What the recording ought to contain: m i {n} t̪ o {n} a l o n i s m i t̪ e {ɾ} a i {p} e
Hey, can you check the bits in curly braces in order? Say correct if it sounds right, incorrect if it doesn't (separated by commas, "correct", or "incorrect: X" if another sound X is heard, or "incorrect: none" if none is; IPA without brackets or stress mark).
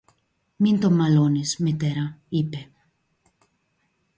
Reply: correct, incorrect: m, correct, correct